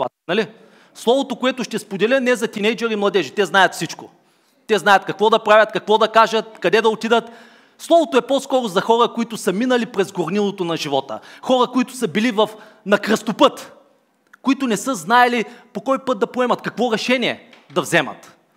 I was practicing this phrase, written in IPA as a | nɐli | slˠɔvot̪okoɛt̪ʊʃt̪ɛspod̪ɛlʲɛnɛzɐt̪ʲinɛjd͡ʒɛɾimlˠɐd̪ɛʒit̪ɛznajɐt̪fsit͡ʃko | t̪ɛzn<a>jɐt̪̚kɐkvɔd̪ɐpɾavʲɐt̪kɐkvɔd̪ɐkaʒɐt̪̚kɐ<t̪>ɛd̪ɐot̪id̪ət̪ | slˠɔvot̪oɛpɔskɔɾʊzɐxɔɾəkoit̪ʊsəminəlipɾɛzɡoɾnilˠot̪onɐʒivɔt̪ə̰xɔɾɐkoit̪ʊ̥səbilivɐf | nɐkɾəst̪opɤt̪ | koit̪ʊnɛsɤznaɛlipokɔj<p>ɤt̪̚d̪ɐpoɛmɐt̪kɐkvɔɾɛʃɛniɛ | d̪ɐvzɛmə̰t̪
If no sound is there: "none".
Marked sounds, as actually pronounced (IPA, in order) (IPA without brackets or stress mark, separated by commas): a, d̪, p